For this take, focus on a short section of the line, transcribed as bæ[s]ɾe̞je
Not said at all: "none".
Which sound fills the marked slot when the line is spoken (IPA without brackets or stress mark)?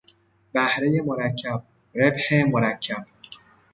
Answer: h